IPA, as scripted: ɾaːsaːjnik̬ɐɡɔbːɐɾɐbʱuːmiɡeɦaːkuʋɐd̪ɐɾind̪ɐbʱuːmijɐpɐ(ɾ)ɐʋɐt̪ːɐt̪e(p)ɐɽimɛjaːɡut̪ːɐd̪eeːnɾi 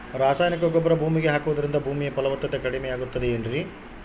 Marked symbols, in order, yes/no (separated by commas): no, no